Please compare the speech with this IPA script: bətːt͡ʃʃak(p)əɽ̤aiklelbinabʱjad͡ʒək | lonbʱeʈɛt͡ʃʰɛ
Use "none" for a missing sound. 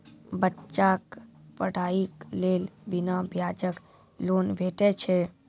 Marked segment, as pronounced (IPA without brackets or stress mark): p